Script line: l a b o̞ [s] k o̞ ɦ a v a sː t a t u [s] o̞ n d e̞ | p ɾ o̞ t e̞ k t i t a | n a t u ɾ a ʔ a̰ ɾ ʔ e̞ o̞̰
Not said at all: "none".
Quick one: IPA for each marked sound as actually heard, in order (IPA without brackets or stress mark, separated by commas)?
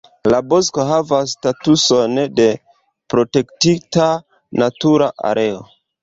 s, s